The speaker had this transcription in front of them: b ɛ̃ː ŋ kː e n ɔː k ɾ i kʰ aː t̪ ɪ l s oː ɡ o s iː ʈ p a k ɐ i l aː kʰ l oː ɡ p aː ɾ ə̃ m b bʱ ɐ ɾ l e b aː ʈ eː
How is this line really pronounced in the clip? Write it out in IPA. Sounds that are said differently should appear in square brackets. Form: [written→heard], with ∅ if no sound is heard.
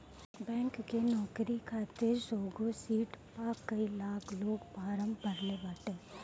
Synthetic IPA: b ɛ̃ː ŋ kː e n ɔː k ɾ i kʰ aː t̪ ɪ [l→ɾ] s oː ɡ o s iː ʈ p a k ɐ i l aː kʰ l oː ɡ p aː ɾ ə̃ m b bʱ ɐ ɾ l e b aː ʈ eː